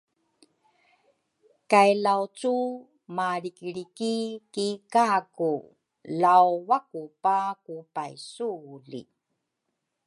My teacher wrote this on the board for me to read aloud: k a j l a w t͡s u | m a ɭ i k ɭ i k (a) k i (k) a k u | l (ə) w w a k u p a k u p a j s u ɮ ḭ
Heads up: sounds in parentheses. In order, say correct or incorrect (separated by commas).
incorrect, correct, incorrect